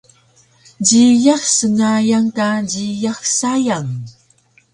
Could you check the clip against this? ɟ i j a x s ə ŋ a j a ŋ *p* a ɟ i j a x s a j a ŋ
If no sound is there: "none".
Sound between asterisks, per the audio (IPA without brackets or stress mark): k